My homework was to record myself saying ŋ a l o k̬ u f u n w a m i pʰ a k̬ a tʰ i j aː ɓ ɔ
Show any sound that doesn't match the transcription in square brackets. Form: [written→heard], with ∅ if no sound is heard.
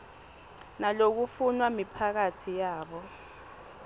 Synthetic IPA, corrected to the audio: [ŋ→n] a l o k̬ u f u n w a m i pʰ a k̬ a tʰ i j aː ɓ ɔ